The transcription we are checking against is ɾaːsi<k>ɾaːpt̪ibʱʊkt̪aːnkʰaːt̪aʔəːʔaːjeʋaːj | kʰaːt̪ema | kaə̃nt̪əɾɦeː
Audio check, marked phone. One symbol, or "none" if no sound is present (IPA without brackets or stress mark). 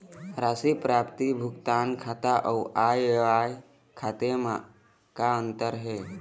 p